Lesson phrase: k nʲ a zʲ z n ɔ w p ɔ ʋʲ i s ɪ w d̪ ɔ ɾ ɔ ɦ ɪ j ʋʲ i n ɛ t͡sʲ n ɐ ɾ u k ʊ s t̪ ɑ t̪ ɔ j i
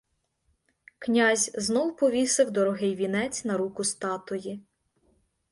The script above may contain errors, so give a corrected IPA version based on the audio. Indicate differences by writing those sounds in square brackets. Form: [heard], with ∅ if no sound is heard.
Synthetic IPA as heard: k nʲ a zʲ z n ɔ w p ɔ ʋʲ i s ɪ w d̪ ɔ ɾ ɔ ɦ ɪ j ʋʲ i n ɛ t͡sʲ n ɐ ɾ u k ʊ s t̪ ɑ t̪ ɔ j i